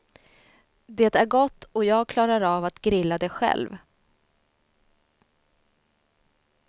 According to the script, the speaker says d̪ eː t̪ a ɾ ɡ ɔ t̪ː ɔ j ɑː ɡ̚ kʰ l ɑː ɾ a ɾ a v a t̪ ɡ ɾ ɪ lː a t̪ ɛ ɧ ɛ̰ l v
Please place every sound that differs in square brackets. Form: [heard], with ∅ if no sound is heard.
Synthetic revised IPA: d̪ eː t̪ [æ] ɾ ɡ ɔ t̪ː ɔ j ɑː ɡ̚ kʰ l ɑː ɾ a ɾ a v a t̪ ɡ ɾ ɪ lː a [d̪] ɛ ɧ ɛ̰ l v